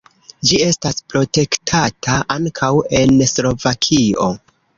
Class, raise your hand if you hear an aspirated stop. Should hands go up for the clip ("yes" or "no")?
yes